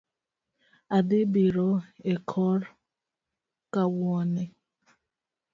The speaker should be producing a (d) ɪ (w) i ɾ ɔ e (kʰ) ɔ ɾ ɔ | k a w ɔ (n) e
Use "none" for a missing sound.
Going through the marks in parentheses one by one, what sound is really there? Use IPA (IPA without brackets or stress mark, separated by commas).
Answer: d, b, kʰ, n